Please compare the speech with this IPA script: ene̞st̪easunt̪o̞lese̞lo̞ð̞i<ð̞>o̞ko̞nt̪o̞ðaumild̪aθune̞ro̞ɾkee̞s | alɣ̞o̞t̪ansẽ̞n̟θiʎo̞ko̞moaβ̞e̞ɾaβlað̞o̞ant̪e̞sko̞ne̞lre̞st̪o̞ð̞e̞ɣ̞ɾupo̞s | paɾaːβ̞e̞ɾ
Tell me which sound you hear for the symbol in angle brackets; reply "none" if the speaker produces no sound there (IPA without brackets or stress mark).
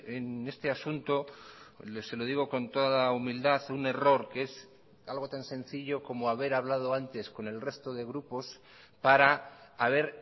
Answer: ɣ̞